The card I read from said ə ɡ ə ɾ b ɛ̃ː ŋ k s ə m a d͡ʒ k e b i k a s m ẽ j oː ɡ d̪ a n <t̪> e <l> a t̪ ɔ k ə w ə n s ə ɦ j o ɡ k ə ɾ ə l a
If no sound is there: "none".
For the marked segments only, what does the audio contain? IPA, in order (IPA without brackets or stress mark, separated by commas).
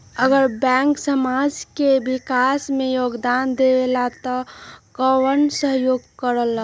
d̪, l